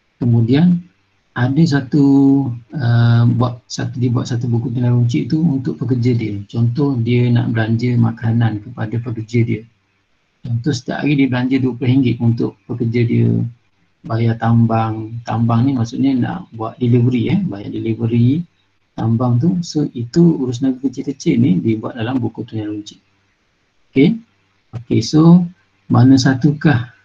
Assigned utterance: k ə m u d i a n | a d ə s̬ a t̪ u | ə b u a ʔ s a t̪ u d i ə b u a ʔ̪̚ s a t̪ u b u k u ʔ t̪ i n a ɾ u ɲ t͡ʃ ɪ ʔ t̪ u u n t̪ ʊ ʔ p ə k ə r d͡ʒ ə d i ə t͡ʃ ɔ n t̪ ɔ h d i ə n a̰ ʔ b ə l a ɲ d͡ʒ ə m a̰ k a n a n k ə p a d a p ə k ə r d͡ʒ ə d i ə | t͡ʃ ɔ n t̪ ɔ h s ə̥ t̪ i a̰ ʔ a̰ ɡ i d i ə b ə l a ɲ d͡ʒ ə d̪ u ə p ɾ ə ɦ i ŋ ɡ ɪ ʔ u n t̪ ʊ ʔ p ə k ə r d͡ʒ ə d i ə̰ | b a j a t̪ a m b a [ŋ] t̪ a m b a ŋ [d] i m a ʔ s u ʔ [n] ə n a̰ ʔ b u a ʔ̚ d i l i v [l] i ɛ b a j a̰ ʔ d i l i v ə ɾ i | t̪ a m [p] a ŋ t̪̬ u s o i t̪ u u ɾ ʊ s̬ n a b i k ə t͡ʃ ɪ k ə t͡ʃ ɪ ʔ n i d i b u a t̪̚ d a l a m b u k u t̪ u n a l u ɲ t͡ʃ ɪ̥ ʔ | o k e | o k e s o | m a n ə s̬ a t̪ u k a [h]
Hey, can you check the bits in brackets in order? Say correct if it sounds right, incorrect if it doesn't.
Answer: correct, incorrect, incorrect, incorrect, incorrect, correct

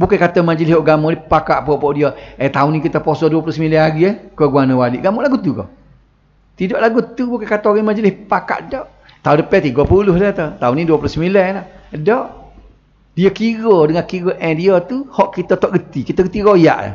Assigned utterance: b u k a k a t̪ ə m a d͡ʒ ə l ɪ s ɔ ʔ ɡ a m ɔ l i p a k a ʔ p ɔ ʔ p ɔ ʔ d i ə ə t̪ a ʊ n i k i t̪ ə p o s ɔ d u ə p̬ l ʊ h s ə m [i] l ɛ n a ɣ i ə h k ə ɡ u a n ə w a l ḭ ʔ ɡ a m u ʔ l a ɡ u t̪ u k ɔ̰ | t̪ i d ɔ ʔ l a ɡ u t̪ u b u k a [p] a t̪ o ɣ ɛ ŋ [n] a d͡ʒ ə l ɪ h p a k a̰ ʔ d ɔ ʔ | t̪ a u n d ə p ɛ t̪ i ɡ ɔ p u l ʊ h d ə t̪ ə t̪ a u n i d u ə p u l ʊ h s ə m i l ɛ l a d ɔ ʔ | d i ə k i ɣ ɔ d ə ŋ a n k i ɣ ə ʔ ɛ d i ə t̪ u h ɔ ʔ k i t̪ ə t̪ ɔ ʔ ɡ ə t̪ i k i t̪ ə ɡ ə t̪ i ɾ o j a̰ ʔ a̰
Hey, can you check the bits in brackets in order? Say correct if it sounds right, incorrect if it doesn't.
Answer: correct, incorrect, incorrect

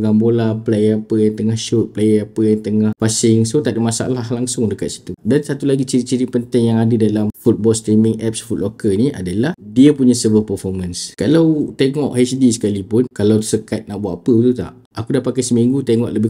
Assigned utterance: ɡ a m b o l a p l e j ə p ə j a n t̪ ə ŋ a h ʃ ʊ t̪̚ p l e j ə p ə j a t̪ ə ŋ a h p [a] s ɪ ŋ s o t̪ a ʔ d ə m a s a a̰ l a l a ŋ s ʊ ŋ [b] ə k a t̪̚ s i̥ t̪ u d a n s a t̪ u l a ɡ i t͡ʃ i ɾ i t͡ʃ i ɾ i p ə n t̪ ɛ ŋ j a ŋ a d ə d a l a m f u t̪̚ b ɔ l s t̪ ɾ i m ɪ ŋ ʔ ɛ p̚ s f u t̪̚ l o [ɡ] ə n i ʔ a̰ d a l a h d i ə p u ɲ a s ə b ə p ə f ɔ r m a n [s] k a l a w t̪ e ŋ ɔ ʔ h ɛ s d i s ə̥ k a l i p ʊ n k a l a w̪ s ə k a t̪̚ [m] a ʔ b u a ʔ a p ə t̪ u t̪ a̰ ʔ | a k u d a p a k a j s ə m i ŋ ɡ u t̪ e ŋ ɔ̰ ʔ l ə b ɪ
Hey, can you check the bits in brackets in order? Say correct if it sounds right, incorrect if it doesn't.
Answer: correct, incorrect, incorrect, correct, incorrect

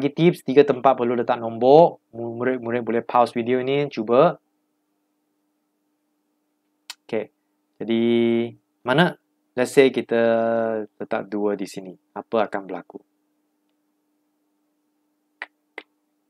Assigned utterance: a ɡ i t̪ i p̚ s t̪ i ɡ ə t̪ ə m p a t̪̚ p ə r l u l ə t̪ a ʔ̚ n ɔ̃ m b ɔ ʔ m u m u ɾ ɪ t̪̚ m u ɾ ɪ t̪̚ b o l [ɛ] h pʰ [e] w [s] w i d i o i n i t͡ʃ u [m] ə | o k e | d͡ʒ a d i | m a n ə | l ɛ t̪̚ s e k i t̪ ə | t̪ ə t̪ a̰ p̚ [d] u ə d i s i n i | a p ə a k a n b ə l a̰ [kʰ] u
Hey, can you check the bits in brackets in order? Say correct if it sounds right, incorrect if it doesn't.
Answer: correct, incorrect, correct, incorrect, correct, incorrect

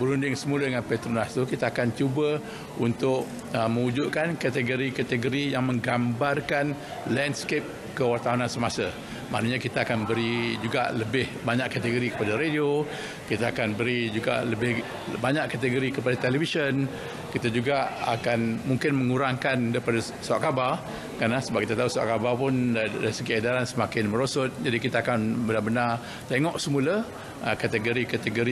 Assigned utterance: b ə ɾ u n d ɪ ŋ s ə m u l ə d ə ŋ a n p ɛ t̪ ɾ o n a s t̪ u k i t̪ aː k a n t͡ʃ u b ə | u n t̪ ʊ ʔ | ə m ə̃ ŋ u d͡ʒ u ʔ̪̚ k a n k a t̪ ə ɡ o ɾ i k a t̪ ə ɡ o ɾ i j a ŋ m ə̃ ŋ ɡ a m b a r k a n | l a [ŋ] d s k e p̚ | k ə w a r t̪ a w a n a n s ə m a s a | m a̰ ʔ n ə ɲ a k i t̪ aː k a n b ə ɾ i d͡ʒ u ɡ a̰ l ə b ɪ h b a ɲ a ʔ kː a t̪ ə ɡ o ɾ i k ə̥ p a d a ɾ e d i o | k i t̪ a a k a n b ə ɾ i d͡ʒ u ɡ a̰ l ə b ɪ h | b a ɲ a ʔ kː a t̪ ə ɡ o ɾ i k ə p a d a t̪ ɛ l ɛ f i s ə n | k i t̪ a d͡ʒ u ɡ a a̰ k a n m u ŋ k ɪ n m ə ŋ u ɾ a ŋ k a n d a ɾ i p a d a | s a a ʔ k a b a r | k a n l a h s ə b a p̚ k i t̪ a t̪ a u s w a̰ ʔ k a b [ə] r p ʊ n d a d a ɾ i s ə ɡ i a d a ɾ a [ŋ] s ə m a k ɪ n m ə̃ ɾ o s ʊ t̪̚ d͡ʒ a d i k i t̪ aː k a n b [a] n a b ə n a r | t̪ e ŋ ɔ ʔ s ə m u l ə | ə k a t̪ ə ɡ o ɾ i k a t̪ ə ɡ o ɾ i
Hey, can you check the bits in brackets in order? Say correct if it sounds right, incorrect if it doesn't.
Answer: incorrect, incorrect, incorrect, incorrect

